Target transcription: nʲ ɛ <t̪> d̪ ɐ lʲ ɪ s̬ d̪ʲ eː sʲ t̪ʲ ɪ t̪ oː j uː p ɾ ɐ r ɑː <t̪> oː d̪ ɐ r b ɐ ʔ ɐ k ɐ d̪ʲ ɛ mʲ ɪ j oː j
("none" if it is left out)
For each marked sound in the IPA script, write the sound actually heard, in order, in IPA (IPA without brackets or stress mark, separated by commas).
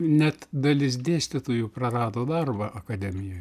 t̪, d̪